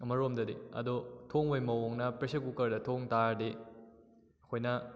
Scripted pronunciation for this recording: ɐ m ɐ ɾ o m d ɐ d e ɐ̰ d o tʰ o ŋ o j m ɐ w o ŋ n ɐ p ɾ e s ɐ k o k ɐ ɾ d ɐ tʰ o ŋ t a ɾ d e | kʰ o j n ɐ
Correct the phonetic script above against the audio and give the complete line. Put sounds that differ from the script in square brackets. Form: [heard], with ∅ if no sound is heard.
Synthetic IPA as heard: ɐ m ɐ ɾ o m d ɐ d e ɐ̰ d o tʰ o ŋ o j m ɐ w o ŋ n ɐ p ɾ e s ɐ k [u] k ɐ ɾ d ɐ tʰ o ŋ t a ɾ d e | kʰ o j n ɐ